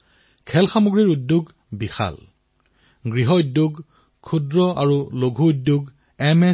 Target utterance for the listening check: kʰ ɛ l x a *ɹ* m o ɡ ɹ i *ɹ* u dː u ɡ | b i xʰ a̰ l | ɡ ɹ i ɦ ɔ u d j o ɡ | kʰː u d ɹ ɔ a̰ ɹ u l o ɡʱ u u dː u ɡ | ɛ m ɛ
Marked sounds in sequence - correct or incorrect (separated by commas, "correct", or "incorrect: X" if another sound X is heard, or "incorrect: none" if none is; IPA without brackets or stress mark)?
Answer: incorrect: none, correct